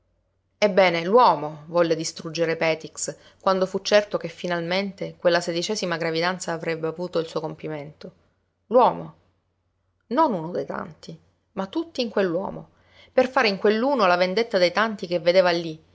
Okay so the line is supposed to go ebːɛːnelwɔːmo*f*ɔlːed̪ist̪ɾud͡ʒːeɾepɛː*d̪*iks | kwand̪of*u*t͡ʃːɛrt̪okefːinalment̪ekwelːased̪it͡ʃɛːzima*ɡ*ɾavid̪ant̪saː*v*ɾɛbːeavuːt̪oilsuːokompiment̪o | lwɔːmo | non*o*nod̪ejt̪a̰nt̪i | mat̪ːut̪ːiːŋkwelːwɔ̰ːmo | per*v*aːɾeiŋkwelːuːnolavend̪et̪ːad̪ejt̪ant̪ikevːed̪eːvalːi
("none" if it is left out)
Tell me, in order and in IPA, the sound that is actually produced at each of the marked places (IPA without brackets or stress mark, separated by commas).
v, t̪, u, ɡ, v, u, f